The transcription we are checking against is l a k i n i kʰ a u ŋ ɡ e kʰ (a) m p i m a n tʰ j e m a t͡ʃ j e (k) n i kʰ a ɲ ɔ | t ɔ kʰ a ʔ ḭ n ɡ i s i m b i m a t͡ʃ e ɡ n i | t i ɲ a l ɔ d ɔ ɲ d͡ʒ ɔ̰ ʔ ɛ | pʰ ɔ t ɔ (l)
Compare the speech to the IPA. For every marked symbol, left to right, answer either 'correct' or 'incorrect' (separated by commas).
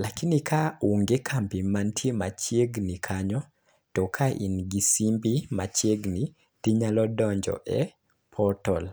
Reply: correct, incorrect, correct